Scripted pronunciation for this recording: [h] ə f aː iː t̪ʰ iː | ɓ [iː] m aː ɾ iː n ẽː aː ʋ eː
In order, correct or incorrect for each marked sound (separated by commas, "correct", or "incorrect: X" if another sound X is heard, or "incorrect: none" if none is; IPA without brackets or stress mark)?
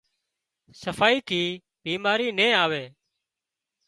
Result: incorrect: s, correct